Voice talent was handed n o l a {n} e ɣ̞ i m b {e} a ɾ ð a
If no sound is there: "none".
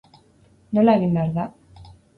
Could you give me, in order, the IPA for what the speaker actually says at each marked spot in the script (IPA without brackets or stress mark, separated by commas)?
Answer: none, e